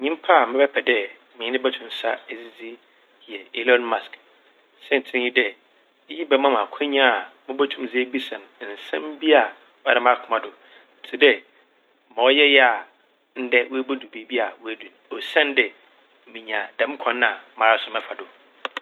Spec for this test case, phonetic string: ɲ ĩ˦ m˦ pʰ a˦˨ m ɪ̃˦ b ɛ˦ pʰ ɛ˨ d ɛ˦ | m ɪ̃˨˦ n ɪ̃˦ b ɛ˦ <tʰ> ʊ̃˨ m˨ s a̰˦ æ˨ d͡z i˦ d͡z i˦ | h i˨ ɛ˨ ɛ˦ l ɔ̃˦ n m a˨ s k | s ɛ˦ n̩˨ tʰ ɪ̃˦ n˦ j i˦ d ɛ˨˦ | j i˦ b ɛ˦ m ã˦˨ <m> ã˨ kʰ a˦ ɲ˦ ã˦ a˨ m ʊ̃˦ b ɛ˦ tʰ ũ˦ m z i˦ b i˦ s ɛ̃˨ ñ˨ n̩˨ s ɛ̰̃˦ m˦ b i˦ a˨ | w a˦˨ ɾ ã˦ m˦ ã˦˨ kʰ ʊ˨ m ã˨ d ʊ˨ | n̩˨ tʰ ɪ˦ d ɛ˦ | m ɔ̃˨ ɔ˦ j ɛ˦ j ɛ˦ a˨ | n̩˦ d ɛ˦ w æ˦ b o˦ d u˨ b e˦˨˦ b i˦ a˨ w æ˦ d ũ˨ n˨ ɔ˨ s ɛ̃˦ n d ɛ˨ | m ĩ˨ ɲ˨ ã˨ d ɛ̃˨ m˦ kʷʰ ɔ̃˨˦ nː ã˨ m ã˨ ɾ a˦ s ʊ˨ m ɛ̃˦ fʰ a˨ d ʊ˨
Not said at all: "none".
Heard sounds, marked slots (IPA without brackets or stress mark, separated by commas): tʰ, m